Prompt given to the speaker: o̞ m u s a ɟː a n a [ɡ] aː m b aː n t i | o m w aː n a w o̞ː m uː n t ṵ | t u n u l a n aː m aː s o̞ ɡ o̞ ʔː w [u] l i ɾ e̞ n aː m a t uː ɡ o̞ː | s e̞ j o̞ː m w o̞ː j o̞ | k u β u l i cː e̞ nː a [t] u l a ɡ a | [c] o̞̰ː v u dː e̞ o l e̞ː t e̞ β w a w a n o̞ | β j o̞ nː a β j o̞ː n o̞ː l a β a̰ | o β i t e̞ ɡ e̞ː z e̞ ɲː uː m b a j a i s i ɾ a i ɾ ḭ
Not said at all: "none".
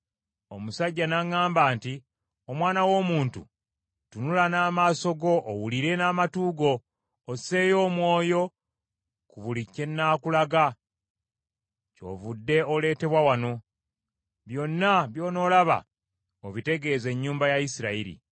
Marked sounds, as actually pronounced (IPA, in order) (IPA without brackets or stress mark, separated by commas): ŋ, u, k, c